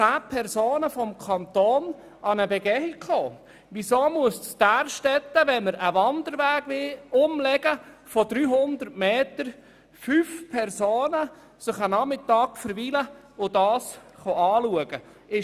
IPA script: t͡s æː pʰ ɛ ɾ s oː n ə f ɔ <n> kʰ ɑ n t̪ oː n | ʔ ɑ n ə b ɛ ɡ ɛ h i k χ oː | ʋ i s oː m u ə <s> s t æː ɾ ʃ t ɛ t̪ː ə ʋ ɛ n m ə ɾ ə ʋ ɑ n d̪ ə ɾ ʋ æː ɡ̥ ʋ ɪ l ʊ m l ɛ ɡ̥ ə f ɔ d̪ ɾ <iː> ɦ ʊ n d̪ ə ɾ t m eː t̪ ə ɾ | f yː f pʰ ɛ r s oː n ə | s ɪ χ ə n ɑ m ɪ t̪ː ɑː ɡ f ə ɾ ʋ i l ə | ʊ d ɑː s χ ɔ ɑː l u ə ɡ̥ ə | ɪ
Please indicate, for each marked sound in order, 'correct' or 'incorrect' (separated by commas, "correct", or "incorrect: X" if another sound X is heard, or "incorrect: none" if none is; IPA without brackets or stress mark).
incorrect: m, correct, incorrect: yː